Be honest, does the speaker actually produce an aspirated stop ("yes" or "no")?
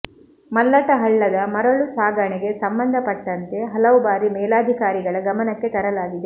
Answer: no